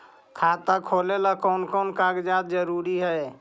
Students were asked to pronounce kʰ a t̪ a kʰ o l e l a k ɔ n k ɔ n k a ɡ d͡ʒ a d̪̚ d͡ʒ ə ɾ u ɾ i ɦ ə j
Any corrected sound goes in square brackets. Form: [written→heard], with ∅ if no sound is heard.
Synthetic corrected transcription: kʰ a t̪ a kʰ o l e l a k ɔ n k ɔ n k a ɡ d͡ʒ a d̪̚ d͡ʒ ə ɾ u ɾ i ɦ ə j